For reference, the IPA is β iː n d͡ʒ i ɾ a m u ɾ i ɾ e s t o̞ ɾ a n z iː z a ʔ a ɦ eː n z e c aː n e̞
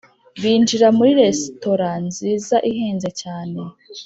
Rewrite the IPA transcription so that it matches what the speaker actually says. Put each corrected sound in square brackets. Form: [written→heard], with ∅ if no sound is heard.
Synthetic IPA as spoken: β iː n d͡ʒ i ɾ a m u ɾ i ɾ e s t o̞ ɾ a n z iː z a ʔ [a→i] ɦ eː n z e c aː n e̞